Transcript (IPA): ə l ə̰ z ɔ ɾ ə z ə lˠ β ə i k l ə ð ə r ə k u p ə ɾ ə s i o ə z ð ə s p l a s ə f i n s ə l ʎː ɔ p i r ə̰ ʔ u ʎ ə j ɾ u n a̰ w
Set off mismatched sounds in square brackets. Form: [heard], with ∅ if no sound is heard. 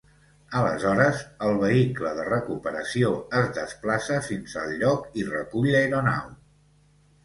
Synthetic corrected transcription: ə l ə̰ z ɔ ɾ ə z ə lˠ β ə i k l ə ð ə r ə k u p ə ɾ ə s i o ə z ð ə s p l a s ə f i n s ə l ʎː ɔ [k] i r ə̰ [k] u ʎ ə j ɾ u n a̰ w